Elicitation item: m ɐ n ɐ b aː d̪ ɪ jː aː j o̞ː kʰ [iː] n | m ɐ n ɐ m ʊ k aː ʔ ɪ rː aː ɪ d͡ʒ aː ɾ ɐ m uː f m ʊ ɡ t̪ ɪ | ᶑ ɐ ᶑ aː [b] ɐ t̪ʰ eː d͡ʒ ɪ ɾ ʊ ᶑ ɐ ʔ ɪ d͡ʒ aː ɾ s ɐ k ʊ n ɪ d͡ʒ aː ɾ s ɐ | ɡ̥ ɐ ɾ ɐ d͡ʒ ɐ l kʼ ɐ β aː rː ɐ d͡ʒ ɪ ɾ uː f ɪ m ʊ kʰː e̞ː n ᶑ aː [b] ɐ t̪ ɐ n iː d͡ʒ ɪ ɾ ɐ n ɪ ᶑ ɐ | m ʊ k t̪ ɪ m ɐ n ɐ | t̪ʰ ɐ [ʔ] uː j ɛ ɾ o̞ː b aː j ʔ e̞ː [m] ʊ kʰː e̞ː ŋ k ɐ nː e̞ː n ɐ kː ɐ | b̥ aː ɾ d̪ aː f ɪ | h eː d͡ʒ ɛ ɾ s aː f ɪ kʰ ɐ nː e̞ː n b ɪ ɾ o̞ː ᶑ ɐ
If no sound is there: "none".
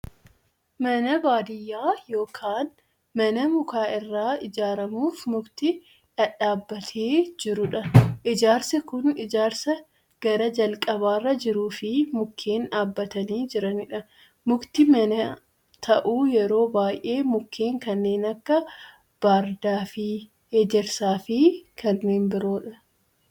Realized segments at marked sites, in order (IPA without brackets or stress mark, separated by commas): aː, bː, bː, ʔ, m